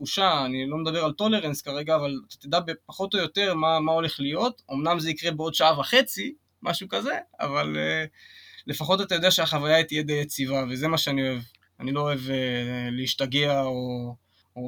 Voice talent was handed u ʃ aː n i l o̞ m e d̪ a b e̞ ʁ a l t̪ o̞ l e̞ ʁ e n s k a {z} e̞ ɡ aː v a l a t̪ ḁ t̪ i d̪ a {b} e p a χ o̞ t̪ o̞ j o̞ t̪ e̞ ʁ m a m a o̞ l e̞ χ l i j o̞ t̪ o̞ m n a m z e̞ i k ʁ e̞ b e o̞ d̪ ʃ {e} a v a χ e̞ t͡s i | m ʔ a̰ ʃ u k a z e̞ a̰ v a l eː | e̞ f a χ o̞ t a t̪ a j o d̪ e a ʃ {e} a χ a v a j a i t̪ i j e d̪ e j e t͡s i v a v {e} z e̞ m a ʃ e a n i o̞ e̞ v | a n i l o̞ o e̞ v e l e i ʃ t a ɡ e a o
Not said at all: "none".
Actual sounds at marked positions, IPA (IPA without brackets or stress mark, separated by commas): ʁ, b, a, e, e